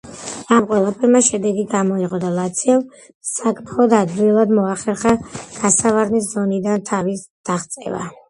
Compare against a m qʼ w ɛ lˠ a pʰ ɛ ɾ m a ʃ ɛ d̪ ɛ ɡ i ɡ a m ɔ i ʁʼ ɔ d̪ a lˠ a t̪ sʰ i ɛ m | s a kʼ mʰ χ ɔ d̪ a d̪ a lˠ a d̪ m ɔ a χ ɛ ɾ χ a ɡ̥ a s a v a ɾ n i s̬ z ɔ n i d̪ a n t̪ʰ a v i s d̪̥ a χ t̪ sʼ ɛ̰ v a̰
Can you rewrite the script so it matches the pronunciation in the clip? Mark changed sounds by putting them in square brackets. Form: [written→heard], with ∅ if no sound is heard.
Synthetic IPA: a m qʼ w ɛ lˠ a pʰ ɛ ɾ m a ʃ ɛ d̪ ɛ ɡ i ɡ a m ɔ i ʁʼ ɔ d̪ a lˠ a t̪ sʰ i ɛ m | s a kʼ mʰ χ ɔ d̪ a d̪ [a→i] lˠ a d̪ m ɔ a χ ɛ ɾ χ a ɡ̥ a s a v a ɾ n i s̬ z ɔ n i d̪ a n t̪ʰ a v i s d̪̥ a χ t̪ sʼ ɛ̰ v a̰